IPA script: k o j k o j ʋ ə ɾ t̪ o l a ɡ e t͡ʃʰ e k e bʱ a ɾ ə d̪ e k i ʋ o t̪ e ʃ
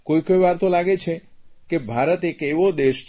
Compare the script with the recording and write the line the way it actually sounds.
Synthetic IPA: k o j k o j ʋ a ɾ t̪ o l a ɡ e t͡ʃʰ e k e bʱ a ɾ ə t̪ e k e ʋ o d̪ e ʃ